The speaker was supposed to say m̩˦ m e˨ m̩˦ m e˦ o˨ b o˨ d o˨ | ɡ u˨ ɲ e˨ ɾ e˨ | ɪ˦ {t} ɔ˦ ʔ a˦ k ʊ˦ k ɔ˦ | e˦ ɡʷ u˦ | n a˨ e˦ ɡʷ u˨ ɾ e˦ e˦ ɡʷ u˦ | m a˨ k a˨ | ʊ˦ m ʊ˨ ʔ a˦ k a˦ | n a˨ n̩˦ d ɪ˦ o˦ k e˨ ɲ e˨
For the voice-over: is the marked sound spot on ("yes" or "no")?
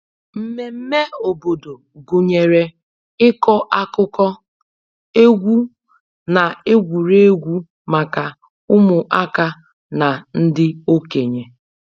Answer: no